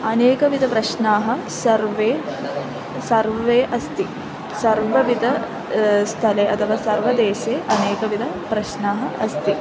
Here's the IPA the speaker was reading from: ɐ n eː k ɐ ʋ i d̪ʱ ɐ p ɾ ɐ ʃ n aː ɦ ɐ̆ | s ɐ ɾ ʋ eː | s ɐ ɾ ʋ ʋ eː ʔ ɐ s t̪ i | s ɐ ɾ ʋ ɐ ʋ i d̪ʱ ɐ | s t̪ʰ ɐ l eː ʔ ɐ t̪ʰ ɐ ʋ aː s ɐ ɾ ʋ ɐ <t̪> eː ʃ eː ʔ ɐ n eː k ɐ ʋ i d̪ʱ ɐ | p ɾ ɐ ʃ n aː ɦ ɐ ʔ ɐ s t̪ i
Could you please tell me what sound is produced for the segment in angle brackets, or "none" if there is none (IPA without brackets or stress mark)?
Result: d̪